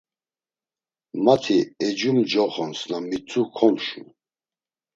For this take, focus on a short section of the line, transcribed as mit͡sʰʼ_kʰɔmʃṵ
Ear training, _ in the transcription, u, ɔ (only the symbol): u